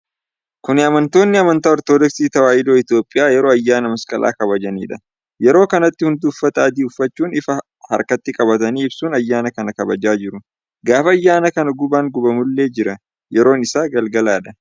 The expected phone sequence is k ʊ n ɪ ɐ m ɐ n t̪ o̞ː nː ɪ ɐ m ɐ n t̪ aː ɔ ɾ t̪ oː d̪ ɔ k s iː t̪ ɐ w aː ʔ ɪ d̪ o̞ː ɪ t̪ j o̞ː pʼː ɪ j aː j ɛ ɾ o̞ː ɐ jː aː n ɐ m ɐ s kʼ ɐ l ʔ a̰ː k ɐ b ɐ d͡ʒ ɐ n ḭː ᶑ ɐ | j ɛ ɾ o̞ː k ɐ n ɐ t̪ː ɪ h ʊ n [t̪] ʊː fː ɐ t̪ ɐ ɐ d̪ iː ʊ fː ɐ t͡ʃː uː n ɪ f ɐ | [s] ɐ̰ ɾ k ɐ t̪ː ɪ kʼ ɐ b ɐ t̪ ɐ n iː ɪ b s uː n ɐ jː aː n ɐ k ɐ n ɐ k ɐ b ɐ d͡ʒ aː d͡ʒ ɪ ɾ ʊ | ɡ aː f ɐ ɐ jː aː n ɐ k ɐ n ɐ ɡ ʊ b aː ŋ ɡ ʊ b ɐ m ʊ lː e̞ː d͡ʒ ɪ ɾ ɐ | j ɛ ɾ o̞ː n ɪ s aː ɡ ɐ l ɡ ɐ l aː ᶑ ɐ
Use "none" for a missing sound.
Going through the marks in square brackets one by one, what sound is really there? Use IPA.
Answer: d̪, h

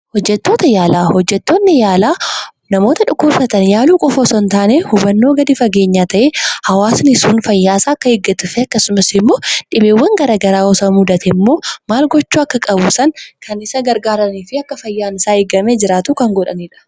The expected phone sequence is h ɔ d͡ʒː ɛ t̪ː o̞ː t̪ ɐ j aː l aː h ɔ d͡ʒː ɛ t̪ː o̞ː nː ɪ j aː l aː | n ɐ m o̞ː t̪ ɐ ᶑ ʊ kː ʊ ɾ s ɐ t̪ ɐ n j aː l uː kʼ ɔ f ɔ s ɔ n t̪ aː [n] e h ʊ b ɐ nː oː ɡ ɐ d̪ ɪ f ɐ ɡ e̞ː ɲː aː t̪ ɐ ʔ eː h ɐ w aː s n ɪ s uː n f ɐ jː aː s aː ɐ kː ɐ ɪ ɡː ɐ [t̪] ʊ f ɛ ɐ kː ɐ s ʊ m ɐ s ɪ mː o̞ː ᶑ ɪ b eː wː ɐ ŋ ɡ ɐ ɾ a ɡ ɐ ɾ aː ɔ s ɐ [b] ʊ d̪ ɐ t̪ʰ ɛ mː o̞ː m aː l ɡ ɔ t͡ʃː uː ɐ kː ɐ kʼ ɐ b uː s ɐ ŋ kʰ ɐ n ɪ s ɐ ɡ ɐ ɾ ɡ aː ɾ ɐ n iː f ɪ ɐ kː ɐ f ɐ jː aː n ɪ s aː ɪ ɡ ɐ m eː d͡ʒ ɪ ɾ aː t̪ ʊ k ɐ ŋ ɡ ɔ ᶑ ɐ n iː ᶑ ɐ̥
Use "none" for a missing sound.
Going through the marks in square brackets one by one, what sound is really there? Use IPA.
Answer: n, t̪, m

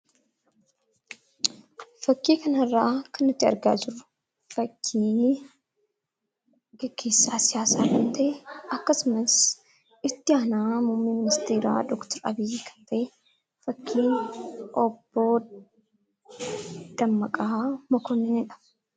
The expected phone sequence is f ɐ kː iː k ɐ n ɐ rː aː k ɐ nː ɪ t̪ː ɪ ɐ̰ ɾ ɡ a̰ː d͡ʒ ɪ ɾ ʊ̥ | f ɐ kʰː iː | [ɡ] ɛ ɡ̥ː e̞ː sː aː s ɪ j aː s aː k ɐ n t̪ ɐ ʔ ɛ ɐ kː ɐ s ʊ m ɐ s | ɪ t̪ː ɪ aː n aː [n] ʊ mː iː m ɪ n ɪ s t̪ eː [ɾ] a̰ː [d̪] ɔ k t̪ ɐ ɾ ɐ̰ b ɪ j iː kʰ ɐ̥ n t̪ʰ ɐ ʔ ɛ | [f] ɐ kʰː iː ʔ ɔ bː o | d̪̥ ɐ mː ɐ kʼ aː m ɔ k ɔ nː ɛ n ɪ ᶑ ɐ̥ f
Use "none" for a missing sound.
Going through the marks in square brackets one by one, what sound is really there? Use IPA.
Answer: ɡ, m, ɾ, d̪, f

